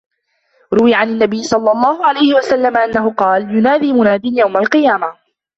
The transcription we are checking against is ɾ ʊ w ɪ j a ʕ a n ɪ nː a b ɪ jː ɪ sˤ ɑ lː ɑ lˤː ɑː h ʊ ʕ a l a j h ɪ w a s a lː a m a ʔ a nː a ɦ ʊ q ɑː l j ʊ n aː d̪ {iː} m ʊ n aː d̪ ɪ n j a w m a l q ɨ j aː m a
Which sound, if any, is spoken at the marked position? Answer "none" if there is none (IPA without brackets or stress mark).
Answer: iː